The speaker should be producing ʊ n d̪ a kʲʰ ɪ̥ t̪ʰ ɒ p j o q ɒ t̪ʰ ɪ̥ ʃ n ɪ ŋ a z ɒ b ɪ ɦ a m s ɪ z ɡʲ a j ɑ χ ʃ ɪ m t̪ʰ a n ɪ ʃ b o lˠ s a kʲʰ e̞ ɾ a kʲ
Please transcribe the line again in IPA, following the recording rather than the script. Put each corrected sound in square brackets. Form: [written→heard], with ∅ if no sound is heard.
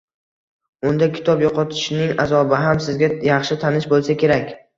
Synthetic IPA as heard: ʊ n d̪ a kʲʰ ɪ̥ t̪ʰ ɒ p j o q ɒ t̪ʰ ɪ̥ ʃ n ɪ ŋ a z ɒ b ɪ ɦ a m s ɪ z ɡʲ a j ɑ χ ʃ ɪ [m→∅] t̪ʰ a n ɪ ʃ b o lˠ s a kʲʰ e̞ ɾ a kʲ